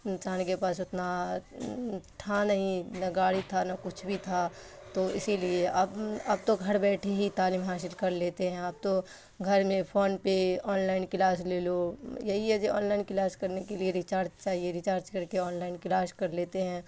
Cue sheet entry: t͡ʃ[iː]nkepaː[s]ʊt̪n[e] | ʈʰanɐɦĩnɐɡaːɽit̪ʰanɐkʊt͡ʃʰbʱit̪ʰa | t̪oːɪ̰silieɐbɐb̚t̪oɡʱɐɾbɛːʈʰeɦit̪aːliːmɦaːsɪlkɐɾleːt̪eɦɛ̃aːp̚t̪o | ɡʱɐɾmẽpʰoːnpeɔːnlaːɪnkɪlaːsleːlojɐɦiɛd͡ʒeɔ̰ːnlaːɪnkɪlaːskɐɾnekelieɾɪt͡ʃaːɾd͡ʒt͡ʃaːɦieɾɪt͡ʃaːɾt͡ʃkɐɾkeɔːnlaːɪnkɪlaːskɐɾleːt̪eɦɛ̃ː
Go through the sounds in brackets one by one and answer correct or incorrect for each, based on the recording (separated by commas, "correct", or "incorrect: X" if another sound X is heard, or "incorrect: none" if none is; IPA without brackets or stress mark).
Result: incorrect: aː, correct, incorrect: a